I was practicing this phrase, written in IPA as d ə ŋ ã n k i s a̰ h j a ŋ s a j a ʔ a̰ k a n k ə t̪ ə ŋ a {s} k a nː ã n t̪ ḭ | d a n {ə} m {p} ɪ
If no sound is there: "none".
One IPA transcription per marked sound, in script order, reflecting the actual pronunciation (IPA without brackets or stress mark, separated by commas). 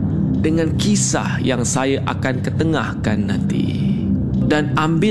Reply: h, a, b